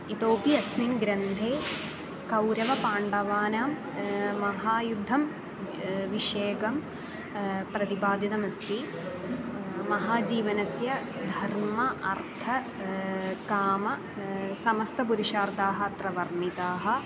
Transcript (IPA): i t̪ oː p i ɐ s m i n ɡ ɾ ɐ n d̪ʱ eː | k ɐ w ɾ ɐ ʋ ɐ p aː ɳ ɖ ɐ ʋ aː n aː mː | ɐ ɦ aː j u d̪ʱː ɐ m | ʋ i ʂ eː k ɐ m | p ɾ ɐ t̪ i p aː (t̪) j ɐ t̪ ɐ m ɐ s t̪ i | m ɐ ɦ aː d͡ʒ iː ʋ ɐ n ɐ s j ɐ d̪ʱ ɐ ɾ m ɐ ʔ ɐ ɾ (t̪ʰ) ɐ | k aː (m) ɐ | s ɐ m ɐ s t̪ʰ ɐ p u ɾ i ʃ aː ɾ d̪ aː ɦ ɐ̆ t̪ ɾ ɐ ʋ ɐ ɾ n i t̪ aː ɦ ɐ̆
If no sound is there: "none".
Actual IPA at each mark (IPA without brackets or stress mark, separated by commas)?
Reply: d̪, t̪ʰ, m